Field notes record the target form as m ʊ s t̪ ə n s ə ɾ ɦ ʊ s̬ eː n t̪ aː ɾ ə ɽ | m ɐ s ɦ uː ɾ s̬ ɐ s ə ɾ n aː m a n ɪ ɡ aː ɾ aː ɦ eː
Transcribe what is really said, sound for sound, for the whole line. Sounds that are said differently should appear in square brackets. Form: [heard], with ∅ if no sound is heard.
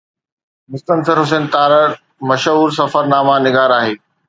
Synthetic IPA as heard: m ʊ s t̪ ə n s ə ɾ ɦ ʊ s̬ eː n t̪ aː ɾ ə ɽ | m ɐ [ʃ] ɦ uː ɾ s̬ ɐ [f] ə ɾ n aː m a n ɪ ɡ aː ɾ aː ɦ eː